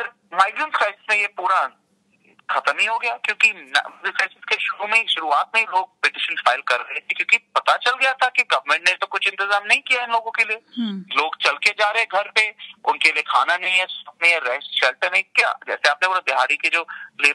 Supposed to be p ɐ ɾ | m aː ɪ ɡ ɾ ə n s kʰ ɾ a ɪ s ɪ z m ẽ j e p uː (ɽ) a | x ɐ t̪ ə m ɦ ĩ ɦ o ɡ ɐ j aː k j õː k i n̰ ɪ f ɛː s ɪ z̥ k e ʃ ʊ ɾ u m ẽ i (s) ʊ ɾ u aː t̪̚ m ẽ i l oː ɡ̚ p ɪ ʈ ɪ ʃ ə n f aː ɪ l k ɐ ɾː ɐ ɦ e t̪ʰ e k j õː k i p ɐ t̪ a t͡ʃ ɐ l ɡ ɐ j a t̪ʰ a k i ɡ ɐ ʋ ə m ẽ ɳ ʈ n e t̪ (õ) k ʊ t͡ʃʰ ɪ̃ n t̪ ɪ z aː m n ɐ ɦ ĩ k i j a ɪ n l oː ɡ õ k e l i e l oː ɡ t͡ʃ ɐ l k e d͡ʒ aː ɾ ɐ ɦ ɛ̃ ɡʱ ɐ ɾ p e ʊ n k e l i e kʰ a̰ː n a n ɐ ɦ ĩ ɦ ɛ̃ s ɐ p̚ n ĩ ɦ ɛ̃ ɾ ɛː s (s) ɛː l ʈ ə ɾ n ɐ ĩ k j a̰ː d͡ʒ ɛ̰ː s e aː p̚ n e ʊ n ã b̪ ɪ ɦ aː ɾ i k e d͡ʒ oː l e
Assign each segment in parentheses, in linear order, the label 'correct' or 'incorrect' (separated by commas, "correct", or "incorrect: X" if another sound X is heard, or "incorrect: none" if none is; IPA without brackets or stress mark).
incorrect: ɾ, incorrect: ʃ, incorrect: o, incorrect: ʃ